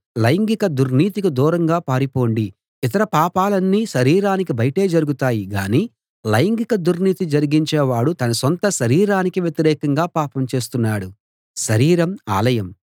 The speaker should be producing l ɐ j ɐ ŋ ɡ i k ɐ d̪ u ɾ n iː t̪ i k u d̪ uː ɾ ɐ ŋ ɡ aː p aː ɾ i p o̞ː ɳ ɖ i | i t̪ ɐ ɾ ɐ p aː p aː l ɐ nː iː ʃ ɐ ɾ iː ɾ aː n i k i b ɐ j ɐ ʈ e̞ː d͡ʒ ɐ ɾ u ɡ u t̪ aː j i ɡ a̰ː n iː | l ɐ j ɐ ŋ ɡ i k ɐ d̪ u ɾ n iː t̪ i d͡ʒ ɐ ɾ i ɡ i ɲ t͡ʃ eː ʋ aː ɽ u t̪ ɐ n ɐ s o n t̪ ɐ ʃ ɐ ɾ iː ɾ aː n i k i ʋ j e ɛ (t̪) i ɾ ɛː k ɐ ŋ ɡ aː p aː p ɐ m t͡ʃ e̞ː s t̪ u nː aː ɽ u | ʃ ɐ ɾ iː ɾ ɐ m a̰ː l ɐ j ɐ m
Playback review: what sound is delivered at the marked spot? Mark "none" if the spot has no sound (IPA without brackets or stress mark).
t̪